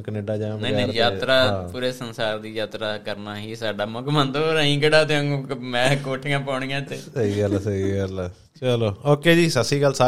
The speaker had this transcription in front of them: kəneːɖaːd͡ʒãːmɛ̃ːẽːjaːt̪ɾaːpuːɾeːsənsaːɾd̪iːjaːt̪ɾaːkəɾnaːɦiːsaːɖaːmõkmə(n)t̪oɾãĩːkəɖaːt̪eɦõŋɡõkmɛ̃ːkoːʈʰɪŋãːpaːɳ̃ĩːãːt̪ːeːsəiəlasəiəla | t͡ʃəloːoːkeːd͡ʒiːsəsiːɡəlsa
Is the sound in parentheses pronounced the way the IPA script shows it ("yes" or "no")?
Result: yes